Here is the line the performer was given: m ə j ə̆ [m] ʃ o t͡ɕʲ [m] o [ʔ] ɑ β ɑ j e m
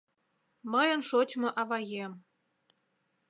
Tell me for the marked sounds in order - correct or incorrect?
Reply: incorrect: n, correct, correct

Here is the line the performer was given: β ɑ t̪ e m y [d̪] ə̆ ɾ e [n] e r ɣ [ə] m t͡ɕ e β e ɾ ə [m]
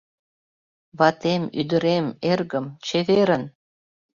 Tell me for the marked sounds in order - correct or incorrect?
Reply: correct, incorrect: m, correct, incorrect: n

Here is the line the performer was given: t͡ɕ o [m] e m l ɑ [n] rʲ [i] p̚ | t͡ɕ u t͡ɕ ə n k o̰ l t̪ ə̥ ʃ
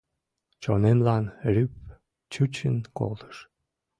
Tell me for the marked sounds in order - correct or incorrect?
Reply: incorrect: n, correct, incorrect: y

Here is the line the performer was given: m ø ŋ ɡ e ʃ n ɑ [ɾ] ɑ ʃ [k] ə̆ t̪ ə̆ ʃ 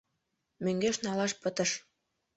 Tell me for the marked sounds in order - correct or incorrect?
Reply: incorrect: l, incorrect: p

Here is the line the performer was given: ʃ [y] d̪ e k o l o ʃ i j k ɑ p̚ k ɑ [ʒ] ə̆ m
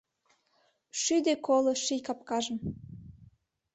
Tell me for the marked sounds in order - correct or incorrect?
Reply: correct, correct

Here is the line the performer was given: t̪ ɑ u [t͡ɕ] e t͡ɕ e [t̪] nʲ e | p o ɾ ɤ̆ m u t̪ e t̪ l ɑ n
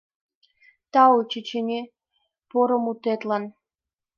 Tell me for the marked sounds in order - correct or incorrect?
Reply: correct, incorrect: none

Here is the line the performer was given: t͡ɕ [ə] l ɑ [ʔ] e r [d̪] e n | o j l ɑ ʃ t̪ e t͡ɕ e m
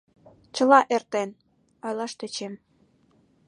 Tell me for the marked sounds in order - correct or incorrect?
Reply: correct, correct, incorrect: t̪

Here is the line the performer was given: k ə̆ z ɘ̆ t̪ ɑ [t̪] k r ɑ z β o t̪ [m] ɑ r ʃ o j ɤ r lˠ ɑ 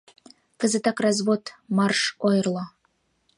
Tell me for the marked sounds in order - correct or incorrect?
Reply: incorrect: none, correct

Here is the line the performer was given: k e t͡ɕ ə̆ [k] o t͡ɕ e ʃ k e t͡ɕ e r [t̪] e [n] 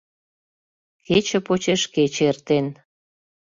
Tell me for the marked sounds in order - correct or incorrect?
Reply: incorrect: p, correct, correct

